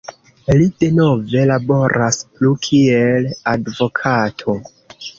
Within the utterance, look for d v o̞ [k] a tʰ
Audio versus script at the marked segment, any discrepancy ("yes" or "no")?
yes